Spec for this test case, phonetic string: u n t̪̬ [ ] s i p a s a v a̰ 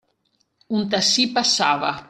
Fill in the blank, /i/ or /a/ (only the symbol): a